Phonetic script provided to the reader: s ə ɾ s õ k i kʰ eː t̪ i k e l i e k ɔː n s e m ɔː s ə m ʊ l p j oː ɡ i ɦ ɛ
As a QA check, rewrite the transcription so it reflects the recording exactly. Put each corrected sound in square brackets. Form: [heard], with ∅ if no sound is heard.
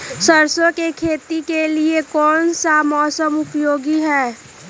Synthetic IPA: s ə ɾ s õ k [e] kʰ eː t̪ i k e l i e k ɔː n s [a] m ɔː s ə m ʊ [∅] p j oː ɡ i ɦ [ɛː]